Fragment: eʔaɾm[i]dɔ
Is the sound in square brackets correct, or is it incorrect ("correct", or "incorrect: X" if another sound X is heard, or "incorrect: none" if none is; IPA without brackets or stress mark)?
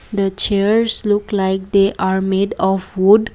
incorrect: e